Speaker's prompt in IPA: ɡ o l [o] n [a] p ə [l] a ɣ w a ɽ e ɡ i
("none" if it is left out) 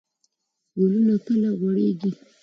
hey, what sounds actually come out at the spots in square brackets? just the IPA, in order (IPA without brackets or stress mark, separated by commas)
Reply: u, a, l